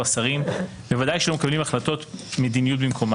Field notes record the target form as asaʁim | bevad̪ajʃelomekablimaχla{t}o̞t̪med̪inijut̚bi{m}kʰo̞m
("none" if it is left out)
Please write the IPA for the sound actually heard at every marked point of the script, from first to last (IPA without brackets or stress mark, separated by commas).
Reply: t, m